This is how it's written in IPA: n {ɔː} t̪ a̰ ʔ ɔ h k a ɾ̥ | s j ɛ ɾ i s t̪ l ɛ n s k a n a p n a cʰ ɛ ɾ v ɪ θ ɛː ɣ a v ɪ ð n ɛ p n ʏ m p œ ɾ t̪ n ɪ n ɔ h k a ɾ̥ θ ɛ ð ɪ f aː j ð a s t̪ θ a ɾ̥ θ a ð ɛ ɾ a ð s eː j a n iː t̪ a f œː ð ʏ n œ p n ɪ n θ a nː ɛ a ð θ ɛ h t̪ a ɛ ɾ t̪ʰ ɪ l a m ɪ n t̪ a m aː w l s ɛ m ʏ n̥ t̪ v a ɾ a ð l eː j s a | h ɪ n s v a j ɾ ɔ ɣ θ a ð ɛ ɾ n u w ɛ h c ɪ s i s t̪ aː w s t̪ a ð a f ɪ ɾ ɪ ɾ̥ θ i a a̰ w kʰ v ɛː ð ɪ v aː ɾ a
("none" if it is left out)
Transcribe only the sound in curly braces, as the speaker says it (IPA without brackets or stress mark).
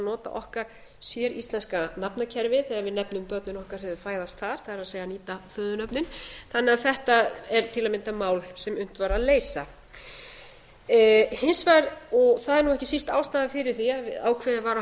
ɔː